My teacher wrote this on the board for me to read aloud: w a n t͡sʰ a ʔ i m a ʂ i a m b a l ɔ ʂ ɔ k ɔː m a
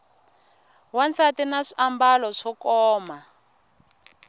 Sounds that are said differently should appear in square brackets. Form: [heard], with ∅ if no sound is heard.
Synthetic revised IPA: w a n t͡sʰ a [t] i [n] a ʂ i a m b a l ɔ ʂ ɔ k ɔː m a